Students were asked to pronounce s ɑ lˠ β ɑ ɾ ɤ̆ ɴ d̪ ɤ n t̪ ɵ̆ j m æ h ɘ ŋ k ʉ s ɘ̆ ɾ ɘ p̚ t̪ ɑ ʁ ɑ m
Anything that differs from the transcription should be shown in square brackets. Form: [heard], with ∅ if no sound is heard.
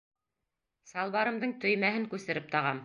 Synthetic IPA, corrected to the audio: s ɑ lˠ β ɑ ɾ ɤ̆ [m] d̪ ɤ [ɴ] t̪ ɵ̆ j m æ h ɘ ŋ k ʉ s ɘ̆ ɾ ɘ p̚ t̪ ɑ ʁ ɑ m